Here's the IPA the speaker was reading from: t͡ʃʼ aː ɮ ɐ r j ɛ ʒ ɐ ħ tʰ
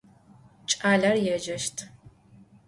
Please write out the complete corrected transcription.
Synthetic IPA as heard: t͡ʃʼ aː ɮ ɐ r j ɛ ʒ ɐ ʃ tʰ